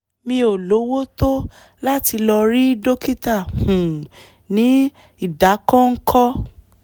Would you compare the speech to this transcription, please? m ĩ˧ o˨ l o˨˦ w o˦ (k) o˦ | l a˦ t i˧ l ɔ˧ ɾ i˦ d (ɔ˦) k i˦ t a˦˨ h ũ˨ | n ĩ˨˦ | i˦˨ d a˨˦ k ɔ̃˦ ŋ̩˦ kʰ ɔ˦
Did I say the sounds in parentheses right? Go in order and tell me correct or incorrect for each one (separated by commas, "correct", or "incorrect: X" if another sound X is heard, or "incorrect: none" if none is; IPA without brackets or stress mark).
incorrect: t, incorrect: o˦